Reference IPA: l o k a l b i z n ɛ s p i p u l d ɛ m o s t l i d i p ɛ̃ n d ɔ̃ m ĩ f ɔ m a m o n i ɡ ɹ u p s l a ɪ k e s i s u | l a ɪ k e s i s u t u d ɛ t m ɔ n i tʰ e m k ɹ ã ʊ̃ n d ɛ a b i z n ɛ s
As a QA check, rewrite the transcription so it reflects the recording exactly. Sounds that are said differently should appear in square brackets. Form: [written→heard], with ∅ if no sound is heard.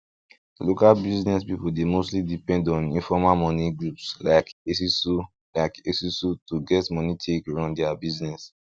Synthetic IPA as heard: l o k a l b i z n ɛ s p i p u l d [ɛ→e] m o s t l i d i p ɛ̃ n d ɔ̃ [m→n] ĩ f ɔ m a m [o→ɔ] n i ɡ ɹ u p s l a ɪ k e s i s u | l a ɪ k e s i s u t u [d→ɡ] ɛ t m ɔ n i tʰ e [m→∅] k ɹ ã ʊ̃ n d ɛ a b i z n ɛ s